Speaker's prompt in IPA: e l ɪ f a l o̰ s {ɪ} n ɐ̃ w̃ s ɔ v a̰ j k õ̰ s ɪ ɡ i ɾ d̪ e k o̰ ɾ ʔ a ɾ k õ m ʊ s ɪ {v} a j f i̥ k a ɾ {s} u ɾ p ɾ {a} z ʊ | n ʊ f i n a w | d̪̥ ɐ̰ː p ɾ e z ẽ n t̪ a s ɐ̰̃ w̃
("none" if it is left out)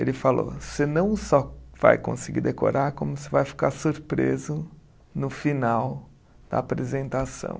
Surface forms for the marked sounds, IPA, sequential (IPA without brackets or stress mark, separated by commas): ɪ, v, s, e